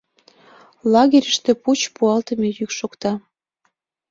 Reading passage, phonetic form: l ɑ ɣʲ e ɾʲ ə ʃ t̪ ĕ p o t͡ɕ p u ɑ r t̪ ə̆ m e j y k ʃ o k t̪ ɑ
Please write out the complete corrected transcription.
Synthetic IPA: l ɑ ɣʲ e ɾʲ ə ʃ t̪ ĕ p u t͡ɕ p u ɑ l t̪ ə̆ m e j y k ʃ o k t̪ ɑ